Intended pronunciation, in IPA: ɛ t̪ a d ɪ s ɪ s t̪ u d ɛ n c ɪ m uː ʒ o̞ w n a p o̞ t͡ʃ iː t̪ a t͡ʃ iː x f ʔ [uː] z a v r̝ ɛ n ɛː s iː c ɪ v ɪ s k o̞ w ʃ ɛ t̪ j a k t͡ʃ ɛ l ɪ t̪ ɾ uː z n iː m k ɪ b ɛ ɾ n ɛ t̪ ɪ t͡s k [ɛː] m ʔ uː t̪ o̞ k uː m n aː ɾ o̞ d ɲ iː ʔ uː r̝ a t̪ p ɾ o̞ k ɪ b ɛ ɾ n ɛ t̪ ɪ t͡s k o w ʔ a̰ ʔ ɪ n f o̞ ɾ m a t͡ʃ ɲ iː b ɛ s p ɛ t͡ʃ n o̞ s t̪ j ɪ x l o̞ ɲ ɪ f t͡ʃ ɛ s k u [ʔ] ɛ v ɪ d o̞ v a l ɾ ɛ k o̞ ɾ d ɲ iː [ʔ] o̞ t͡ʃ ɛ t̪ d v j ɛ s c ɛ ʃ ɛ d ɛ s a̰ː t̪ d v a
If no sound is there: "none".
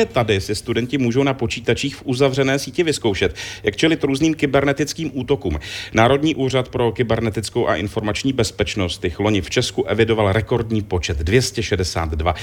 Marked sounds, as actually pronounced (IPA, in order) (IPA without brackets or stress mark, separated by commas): u, iː, ʔ, p